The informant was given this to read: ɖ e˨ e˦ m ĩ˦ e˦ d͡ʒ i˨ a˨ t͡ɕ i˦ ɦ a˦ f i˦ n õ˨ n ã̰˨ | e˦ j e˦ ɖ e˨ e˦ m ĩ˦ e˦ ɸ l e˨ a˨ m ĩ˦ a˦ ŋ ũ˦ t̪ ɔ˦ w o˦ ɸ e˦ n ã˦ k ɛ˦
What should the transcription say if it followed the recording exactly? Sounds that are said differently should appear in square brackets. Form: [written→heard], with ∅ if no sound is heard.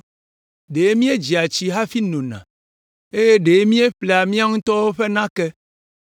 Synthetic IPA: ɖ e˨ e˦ m ĩ˦ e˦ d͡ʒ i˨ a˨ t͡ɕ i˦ ɦ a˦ f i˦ n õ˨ n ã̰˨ | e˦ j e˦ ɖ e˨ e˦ m ĩ˦ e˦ ɸ l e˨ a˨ m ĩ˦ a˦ ŋ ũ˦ t̪ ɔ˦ w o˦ ɸ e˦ n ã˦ k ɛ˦